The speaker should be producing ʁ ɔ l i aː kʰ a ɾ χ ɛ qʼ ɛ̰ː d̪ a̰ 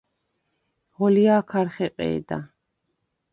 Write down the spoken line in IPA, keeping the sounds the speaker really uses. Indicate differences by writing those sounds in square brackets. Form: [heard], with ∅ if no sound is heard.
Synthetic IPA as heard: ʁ ɔ l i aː kʰ a ɾ χ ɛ qʼ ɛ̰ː d̪ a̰